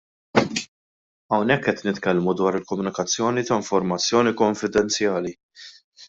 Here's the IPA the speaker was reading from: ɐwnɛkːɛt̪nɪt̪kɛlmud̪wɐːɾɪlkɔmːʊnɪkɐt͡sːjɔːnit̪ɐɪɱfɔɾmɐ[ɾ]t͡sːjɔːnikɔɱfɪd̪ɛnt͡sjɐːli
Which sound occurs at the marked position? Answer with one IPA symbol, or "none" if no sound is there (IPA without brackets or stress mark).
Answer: none